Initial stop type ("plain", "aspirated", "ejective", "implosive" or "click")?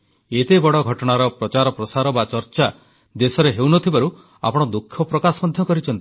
plain